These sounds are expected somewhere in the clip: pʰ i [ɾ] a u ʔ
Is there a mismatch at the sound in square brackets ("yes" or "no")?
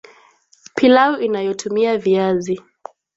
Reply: yes